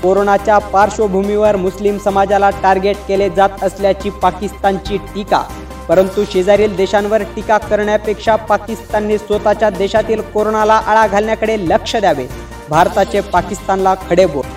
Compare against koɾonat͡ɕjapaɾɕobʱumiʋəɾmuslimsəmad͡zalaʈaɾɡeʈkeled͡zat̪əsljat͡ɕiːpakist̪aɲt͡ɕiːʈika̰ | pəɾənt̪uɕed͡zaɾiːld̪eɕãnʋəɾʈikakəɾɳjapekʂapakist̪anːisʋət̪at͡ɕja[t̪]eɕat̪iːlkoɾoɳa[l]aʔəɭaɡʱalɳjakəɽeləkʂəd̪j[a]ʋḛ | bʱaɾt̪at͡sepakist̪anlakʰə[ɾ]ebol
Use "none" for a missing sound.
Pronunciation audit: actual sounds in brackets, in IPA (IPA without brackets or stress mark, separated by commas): d̪, l, a, ɽ